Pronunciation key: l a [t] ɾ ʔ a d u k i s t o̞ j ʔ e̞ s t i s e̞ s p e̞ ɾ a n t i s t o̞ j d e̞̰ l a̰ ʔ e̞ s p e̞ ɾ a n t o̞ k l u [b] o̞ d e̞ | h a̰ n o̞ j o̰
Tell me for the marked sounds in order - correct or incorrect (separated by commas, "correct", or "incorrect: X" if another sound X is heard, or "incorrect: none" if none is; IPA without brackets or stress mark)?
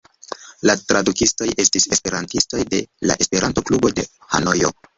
correct, correct